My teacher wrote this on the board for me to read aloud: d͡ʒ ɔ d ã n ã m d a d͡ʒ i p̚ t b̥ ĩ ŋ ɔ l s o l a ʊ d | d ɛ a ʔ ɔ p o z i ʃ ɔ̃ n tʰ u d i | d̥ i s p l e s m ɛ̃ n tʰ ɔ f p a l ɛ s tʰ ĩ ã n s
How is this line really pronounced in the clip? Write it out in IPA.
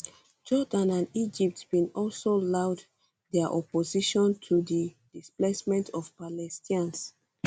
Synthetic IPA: d͡ʒ ɔ d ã n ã n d i d͡ʒ i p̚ t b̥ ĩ n ɔ l s o l a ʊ d | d ɛ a ʔ ɔ p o z i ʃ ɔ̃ n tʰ u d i | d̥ i s p l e s m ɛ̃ n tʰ ɔ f p a l ɛ s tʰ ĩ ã n s